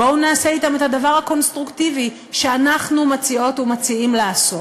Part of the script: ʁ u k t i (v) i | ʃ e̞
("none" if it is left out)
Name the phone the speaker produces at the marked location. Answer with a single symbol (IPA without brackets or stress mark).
v